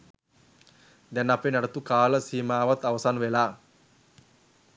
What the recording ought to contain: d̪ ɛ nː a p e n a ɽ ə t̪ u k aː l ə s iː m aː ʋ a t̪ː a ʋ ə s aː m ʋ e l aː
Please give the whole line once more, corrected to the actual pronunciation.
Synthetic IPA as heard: d̪ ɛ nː a p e n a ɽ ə t̪ u k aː l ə s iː m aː ʋ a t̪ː a ʋ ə s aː n ʋ e l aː